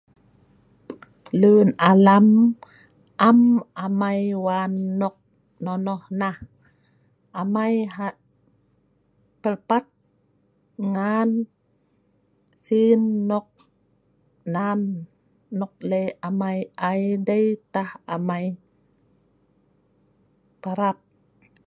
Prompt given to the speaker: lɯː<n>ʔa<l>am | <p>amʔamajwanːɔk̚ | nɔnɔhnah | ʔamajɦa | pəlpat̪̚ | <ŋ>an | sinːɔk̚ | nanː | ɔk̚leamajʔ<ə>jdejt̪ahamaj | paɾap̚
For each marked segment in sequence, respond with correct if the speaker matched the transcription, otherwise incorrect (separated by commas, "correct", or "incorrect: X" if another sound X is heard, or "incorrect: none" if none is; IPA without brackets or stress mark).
correct, correct, incorrect: ʔ, correct, incorrect: a